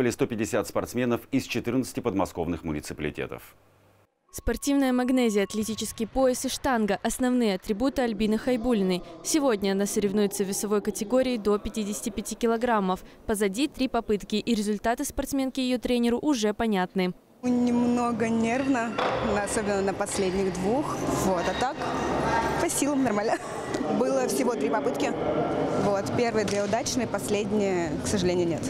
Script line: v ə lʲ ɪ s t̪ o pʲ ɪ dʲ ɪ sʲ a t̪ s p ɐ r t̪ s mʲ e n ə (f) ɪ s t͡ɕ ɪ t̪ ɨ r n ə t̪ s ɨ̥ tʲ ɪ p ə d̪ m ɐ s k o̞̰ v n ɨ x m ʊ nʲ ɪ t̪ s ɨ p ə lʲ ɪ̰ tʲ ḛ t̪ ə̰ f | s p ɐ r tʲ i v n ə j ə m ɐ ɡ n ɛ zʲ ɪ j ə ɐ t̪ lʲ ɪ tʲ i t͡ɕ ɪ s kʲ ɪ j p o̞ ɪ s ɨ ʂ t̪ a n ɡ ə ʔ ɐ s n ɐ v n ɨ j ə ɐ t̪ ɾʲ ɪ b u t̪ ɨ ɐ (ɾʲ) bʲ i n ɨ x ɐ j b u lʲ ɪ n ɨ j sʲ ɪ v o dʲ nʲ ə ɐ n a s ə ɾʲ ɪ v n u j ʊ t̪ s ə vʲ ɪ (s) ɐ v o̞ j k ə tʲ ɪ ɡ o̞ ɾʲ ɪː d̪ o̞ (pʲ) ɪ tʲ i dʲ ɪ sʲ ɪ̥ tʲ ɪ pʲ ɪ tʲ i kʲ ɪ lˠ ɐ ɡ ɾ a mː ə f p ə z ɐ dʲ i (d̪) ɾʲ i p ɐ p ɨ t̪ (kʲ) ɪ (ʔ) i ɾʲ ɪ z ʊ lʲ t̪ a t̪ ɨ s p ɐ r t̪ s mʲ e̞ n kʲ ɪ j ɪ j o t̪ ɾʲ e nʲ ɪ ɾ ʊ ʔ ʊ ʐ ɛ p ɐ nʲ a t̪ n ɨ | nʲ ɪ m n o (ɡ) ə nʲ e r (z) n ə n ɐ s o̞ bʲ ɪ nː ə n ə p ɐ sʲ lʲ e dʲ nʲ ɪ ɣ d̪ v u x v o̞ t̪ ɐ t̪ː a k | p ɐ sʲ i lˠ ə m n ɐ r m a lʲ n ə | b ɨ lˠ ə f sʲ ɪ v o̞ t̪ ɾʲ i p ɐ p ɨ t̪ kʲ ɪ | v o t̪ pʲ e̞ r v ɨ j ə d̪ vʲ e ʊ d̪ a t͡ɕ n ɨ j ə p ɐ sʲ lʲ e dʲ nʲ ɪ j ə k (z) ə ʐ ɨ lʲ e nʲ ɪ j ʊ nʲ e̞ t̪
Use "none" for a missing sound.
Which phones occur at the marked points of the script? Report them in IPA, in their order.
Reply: f, lʲ, s, pʲ, t̪, kʲ, ʔ, ɡ, v, s

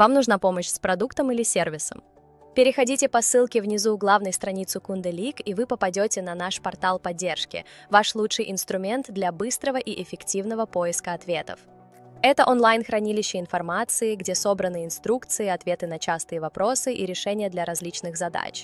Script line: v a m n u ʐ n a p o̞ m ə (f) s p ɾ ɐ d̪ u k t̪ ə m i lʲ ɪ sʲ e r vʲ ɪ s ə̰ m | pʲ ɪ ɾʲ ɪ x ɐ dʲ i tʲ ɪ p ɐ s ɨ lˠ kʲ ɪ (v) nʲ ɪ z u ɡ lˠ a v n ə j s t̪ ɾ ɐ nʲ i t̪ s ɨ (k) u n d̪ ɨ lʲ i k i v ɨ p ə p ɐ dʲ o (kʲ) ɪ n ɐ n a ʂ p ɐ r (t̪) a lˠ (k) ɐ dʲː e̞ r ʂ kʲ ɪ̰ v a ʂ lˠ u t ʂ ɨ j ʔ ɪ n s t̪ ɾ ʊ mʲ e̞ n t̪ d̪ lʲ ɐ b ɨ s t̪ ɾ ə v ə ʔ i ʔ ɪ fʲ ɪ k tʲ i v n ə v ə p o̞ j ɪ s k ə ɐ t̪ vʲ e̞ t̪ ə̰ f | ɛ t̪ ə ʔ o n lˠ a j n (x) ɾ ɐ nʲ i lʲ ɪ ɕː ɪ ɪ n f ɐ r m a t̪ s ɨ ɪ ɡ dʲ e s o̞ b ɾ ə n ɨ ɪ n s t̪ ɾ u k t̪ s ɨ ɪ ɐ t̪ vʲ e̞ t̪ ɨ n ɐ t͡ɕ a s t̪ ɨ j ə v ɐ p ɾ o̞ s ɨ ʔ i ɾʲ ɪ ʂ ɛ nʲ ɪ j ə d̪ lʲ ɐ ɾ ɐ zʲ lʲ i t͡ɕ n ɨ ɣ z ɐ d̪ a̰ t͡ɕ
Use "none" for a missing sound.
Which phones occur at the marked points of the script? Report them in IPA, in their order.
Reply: ɕ, v, k, tʲ, t̪, p, x

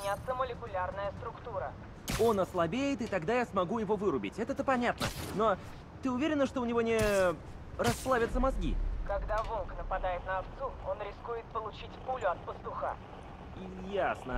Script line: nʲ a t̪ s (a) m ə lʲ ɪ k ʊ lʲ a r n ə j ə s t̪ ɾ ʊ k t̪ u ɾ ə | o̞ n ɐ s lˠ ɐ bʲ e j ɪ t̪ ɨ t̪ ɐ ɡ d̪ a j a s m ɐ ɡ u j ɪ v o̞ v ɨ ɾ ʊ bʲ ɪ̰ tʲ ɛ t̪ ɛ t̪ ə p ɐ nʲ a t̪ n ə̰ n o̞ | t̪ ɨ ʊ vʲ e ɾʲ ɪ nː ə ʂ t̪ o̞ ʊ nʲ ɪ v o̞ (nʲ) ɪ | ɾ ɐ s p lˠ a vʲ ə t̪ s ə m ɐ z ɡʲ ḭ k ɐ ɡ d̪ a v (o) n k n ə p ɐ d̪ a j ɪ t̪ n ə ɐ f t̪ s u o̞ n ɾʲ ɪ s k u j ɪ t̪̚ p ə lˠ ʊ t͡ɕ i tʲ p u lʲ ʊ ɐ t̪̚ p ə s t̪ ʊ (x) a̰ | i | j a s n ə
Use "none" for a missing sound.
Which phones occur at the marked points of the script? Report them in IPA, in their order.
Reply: ə, nʲ, o, x

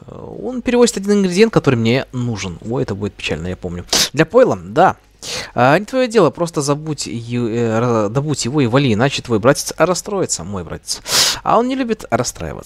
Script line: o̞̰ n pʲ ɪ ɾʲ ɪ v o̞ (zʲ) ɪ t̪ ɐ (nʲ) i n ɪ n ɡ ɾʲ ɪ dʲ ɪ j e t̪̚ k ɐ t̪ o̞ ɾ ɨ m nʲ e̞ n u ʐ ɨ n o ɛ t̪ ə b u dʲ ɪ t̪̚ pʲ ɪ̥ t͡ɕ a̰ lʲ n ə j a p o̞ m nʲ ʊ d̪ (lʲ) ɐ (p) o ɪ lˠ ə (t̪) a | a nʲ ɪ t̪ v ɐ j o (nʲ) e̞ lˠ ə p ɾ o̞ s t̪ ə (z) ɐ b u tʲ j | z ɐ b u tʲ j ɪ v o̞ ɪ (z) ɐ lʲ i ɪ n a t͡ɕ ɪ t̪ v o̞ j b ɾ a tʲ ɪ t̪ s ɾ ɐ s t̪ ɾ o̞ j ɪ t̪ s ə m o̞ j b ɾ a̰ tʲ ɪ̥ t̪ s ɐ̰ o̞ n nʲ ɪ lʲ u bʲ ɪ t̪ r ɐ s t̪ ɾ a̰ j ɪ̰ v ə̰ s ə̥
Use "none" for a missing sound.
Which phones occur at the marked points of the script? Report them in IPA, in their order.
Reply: zʲ, dʲ, lʲ, p, d̪, dʲ, z, v

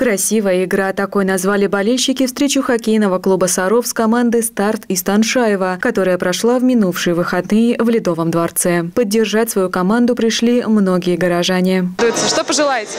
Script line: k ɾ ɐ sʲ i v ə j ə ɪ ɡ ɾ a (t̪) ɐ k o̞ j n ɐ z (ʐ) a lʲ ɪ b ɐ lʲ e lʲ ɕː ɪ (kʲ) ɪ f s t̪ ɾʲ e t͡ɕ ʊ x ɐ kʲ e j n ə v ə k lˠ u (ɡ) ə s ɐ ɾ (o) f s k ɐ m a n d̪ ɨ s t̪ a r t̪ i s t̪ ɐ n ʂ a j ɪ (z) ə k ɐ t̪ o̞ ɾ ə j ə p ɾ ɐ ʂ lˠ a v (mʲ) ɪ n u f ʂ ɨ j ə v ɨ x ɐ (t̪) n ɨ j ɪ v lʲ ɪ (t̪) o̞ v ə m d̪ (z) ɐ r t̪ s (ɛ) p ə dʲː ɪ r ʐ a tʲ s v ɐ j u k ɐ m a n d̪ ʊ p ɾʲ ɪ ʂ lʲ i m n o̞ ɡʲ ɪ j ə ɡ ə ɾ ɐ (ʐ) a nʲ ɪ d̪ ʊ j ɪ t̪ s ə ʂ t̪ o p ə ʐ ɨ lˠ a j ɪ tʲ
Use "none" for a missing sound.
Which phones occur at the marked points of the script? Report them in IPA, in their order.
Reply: t̪, v, kʲ, b, o, v, mʲ, d̪, d̪, v, ɛ, ʐ

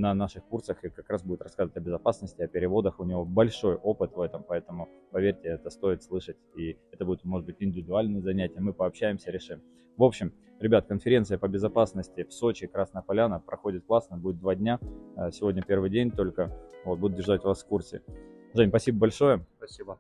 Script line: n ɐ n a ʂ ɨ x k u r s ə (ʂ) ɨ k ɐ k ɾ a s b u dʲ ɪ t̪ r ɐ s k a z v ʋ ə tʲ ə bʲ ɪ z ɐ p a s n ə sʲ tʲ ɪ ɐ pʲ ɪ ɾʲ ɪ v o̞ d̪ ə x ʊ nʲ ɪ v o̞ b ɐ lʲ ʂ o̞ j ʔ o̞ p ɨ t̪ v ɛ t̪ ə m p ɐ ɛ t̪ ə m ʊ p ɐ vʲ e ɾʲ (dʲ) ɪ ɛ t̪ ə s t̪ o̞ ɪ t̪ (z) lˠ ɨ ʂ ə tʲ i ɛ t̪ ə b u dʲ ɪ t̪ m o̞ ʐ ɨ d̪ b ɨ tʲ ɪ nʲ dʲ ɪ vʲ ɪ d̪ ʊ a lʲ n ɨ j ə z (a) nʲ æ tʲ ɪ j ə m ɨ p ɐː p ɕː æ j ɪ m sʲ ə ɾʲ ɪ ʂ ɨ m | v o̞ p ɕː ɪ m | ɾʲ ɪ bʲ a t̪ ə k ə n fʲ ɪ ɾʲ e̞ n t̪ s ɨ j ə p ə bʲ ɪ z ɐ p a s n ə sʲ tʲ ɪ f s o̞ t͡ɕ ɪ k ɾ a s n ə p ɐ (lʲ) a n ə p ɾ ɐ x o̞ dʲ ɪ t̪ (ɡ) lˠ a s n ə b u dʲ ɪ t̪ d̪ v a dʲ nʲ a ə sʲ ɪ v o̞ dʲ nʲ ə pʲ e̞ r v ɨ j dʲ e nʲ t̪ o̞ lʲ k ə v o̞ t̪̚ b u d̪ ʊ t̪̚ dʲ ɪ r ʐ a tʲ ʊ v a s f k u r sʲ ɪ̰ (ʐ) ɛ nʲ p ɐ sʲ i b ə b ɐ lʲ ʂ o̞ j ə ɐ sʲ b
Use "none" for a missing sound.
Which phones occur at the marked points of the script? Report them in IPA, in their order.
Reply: x, tʲ, s, ɐ, lʲ, k, ʐ

